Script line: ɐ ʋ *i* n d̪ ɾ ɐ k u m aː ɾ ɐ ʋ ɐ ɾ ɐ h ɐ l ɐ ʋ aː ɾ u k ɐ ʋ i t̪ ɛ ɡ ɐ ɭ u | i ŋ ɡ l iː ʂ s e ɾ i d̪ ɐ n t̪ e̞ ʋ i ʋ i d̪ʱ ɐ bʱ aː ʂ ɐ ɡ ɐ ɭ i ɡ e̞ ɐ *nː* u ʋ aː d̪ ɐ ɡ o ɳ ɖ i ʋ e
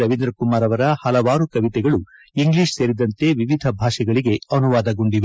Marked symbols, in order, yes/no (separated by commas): yes, no